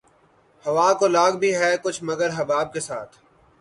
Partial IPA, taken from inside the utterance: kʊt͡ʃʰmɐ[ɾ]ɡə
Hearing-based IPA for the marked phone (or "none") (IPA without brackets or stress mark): none